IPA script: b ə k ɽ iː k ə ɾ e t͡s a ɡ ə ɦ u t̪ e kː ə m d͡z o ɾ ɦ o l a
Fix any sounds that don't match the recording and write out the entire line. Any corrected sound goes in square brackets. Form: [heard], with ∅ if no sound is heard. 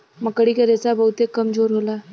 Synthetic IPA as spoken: [m] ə k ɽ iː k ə ɾ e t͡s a [b] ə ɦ u t̪ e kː ə m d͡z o ɾ ɦ o l a